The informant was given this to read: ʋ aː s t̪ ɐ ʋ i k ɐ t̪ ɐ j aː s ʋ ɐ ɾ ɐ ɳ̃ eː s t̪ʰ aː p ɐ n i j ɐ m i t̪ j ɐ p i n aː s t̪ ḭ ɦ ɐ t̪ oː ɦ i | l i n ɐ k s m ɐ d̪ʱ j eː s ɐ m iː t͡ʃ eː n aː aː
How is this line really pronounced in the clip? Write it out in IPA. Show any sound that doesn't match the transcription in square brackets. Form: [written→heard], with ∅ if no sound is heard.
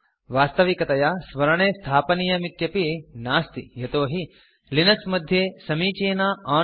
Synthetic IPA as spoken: ʋ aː s t̪ ɐ ʋ i k ɐ t̪ ɐ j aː s ʋ ɐ ɾ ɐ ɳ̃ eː s t̪ʰ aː p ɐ n i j ɐ m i t̪ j ɐ p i n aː s t̪ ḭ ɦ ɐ t̪ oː ɦ i | l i n ɐ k s m ɐ d̪ʱ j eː s ɐ m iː t͡ʃ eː n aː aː

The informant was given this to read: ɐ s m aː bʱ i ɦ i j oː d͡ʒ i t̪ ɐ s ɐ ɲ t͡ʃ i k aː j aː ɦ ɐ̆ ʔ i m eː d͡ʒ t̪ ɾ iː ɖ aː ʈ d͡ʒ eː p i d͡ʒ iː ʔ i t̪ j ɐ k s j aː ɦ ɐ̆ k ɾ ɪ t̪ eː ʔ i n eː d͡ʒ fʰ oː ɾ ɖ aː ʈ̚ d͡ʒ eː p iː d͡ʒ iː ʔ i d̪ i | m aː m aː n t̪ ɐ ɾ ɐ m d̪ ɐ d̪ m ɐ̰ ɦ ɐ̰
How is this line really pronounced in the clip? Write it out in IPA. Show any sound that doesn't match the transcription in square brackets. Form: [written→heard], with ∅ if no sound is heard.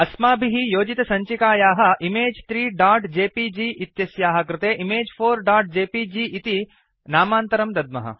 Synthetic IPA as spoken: ɐ s m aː bʱ i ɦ i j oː d͡ʒ i t̪ ɐ s ɐ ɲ t͡ʃ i k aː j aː ɦ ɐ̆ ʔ i m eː d͡ʒ t̪ ɾ iː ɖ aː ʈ d͡ʒ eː p i d͡ʒ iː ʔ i t̪ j ɐ [k→∅] s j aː ɦ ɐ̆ k ɾ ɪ t̪ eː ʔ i [n→m] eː d͡ʒ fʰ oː ɾ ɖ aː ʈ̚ d͡ʒ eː p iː d͡ʒ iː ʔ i [d̪→t̪] i | [m→n] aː m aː n t̪ ɐ ɾ ɐ m d̪ ɐ d̪ m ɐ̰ ɦ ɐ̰

